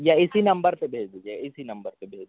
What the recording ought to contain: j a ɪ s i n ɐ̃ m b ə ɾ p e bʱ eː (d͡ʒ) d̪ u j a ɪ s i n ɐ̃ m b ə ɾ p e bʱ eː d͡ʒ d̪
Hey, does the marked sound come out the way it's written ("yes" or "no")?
yes